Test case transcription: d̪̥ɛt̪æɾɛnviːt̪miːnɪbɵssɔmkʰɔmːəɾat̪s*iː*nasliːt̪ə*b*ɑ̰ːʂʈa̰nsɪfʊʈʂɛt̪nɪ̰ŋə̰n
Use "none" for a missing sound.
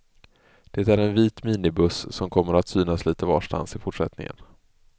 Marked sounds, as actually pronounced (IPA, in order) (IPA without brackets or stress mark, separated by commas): yː, v